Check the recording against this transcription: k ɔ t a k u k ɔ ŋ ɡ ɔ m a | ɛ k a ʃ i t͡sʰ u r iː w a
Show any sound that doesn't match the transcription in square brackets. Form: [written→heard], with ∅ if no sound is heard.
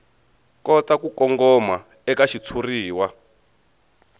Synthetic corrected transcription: k ɔ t a k u k ɔ ŋ ɡ ɔ m a | ɛ k a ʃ i t͡sʰ u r iː w a